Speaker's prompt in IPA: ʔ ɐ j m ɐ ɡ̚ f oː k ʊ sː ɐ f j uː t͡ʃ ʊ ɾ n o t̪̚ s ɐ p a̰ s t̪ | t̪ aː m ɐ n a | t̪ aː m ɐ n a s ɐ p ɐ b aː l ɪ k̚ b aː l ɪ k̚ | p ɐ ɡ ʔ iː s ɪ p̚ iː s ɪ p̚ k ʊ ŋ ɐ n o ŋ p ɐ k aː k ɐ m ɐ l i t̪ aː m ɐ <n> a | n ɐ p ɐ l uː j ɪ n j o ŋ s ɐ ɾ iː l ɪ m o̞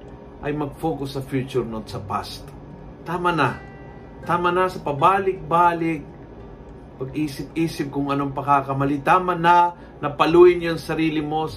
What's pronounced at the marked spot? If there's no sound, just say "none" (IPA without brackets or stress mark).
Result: n